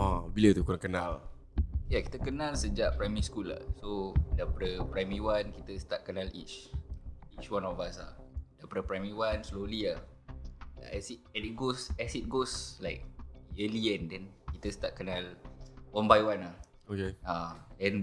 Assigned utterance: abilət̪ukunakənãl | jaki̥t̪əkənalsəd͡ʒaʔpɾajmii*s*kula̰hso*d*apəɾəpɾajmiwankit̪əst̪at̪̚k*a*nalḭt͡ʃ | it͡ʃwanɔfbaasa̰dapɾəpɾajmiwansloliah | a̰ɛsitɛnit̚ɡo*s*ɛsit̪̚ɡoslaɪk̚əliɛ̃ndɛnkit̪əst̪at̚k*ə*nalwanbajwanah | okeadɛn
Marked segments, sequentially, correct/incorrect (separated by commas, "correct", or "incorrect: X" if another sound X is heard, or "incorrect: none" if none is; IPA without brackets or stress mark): correct, correct, incorrect: ə, correct, correct